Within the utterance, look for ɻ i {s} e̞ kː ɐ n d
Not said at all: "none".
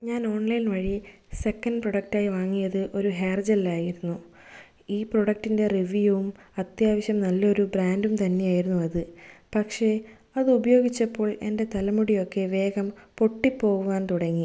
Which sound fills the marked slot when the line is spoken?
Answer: s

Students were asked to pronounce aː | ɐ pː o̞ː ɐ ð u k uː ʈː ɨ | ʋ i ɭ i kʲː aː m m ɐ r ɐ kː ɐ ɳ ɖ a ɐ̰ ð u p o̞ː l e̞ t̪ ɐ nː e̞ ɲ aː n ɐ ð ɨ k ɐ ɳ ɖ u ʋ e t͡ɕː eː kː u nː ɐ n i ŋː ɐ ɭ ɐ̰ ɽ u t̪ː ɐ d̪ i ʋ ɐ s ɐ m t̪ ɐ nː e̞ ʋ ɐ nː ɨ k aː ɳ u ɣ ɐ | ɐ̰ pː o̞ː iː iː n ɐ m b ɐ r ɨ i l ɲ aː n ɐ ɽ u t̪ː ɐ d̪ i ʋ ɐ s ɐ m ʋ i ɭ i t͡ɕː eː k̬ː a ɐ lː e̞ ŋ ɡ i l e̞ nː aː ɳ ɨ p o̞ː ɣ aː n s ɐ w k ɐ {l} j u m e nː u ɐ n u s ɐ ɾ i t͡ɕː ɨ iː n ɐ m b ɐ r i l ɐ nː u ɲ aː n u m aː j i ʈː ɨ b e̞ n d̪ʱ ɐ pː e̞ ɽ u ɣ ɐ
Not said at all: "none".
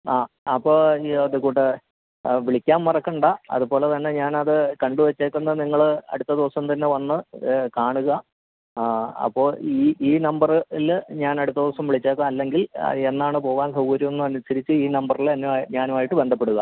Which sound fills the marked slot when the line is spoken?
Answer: ɾ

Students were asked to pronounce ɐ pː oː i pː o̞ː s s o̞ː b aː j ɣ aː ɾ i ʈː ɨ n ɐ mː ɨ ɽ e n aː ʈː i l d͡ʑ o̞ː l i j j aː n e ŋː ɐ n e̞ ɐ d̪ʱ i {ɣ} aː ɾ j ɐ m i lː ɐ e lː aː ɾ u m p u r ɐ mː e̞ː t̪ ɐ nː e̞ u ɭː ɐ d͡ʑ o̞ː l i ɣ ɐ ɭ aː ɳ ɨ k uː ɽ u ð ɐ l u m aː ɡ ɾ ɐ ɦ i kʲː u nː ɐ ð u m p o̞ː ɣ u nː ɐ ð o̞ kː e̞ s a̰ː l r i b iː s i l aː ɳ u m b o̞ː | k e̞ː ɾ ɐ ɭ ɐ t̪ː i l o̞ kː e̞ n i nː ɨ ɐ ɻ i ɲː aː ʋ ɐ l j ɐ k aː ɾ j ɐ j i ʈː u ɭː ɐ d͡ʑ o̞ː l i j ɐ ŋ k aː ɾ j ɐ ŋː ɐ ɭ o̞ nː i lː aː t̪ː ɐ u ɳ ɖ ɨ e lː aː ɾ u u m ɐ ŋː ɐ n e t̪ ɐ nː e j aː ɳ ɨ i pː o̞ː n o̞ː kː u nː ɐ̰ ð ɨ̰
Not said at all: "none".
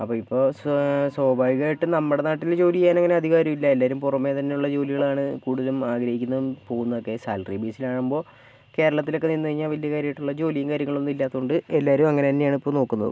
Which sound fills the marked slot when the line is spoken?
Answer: ɣ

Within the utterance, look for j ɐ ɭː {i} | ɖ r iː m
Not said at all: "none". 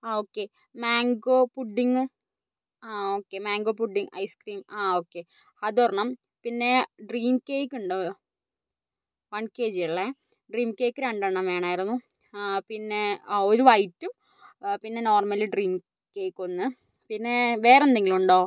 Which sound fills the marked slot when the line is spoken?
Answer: e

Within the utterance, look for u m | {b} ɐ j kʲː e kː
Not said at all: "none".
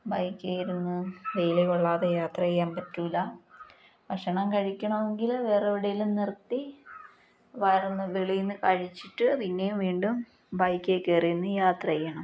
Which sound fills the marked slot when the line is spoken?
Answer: b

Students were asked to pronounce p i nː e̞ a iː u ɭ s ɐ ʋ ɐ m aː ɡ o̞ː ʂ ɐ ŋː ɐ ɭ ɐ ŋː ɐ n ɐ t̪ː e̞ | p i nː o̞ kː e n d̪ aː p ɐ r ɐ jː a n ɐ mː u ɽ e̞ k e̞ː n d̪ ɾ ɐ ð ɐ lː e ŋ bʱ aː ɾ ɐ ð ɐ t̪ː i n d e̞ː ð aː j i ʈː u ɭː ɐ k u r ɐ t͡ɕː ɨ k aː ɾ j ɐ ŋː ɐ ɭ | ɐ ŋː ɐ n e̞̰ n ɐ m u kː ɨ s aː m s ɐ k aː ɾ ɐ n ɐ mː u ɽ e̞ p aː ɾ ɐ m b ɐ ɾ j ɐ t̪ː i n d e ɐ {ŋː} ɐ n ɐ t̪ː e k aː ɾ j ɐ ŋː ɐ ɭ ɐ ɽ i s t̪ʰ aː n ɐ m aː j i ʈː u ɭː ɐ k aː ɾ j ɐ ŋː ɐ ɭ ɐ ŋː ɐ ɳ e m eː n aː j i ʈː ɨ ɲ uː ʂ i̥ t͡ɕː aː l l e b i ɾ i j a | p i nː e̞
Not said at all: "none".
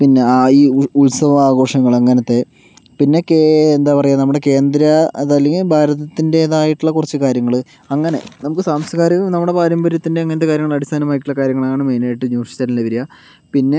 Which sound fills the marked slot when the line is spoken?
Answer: ŋː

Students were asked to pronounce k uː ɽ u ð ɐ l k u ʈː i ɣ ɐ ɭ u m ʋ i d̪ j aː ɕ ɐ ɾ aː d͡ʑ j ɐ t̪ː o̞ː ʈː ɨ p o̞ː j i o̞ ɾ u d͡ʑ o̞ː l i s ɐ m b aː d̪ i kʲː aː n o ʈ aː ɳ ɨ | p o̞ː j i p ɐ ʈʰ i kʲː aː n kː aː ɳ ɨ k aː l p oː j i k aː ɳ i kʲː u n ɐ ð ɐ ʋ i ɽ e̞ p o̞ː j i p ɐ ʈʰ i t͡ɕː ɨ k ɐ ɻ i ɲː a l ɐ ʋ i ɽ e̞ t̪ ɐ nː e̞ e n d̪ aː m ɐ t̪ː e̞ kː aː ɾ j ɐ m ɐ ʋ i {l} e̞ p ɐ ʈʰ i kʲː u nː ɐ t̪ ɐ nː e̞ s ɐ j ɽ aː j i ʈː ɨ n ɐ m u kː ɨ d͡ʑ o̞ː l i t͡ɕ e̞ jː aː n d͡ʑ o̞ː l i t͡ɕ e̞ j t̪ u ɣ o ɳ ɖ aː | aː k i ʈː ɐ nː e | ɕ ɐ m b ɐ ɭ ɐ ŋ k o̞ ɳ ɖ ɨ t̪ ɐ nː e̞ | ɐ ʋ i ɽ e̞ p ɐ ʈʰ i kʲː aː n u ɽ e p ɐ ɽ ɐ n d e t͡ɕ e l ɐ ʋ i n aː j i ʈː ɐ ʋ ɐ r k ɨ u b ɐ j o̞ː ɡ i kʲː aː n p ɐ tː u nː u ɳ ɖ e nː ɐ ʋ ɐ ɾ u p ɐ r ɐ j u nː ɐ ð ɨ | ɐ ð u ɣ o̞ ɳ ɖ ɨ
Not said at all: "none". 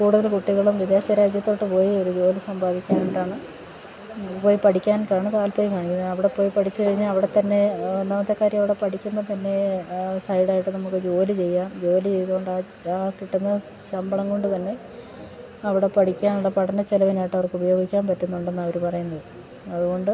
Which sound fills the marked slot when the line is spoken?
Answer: ɽ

